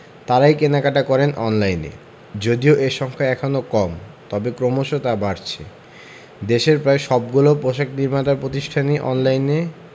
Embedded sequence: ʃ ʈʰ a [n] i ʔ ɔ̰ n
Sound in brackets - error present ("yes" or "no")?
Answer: no